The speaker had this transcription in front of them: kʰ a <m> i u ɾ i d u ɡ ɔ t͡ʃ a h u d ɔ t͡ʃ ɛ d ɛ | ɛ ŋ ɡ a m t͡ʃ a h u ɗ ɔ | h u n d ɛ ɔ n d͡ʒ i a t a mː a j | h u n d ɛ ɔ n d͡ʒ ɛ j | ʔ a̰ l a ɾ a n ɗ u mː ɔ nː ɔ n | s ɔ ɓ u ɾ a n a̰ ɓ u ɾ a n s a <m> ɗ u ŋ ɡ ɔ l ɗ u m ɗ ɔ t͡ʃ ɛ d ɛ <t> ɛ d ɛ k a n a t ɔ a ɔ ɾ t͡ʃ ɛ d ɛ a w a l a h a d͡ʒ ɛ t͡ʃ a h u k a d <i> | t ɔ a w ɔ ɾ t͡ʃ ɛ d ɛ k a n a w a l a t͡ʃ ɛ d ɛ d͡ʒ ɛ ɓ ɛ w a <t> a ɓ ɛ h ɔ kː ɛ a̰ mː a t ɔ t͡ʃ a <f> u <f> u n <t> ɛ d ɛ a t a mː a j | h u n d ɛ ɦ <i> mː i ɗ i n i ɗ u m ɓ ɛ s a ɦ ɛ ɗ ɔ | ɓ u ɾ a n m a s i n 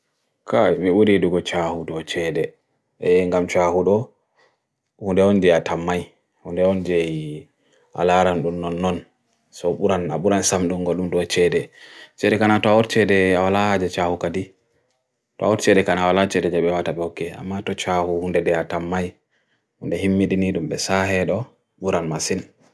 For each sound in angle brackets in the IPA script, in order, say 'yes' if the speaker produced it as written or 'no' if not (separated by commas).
yes, yes, no, yes, yes, no, no, no, yes